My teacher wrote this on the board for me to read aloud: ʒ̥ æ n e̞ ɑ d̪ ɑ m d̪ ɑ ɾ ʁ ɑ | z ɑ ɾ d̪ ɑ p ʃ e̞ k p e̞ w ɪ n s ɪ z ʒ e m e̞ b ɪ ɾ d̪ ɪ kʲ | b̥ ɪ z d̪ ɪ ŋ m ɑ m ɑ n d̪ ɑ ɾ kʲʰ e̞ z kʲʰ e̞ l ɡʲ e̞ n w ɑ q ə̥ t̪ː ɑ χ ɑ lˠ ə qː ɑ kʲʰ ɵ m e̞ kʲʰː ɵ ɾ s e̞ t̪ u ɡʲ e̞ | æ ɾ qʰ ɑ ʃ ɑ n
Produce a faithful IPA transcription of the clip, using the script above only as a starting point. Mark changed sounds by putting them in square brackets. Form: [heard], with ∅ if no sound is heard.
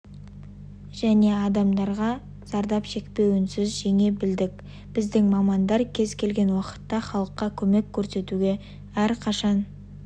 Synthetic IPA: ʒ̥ æ n e̞ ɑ d̪ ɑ m d̪ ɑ ɾ ʁ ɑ | z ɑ ɾ d̪ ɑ p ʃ e̞ k p e̞ w ɪ n s ɪ z ʒ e [ŋ] e̞ b ɪ [l] d̪ ɪ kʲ | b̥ ɪ z d̪ ɪ ŋ m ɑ m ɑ n d̪ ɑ ɾ kʲʰ e̞ z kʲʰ e̞ l ɡʲ e̞ n w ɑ q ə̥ t̪ː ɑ χ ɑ lˠ ə qː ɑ kʲʰ ɵ m e̞ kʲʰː ɵ ɾ s e̞ t̪ u ɡʲ e̞ | æ ɾ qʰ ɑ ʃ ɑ n